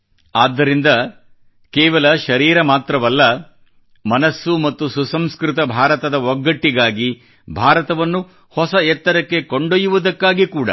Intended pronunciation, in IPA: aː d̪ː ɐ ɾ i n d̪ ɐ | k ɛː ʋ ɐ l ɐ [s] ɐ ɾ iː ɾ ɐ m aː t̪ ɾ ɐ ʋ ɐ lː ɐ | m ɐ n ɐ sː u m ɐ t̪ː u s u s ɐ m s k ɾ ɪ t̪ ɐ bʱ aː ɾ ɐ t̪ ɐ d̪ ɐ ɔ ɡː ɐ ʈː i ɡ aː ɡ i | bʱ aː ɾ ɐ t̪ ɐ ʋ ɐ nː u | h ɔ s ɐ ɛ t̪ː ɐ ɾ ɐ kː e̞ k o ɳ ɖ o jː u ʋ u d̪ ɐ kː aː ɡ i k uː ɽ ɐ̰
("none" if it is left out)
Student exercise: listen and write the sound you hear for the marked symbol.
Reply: ʃ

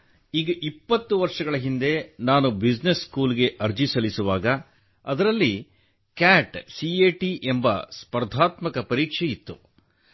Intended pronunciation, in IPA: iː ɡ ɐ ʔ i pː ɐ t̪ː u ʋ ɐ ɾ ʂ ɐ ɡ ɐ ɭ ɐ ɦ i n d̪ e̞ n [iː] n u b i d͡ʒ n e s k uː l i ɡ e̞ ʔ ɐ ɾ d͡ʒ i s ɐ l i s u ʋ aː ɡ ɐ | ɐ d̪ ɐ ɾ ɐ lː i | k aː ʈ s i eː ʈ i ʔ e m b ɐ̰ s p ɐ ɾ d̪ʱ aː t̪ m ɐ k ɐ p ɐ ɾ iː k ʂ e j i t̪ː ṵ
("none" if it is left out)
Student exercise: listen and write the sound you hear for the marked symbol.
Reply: aː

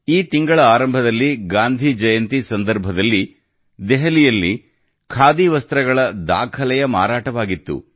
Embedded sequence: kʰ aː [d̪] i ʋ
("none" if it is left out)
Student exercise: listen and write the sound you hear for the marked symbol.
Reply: d̪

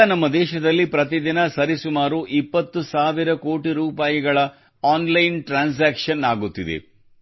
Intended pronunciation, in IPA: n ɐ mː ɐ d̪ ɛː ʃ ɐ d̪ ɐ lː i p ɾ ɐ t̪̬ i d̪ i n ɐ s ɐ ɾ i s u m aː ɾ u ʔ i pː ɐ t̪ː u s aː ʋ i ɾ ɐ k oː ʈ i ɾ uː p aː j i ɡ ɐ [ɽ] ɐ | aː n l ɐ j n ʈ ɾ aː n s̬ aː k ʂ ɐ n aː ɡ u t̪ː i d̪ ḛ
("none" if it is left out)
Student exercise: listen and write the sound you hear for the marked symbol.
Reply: ɭ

